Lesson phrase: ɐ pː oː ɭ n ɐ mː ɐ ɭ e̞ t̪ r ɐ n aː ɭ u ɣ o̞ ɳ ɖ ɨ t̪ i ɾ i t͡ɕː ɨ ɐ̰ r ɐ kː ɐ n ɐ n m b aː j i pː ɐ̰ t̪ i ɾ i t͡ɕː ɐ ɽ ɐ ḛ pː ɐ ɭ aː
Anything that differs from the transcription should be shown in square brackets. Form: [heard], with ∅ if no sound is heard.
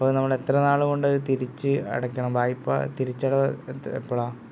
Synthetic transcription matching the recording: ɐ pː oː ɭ n ɐ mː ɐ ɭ e̞ t̪ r ɐ n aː ɭ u ɣ o̞ ɳ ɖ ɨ t̪ i ɾ i t͡ɕː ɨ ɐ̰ [ɽ] ɐ kː ɐ [ɳ] ɐ [∅] m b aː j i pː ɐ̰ t̪ i ɾ i t͡ɕː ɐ ɽ ɐ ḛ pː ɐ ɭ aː